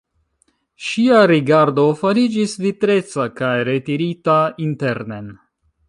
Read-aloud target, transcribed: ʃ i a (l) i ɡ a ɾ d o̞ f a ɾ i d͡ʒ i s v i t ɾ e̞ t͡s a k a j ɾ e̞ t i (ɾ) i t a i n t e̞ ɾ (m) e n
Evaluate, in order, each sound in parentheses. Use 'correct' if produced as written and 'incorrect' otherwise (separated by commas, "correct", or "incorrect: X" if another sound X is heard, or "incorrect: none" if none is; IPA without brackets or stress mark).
incorrect: ɾ, correct, incorrect: n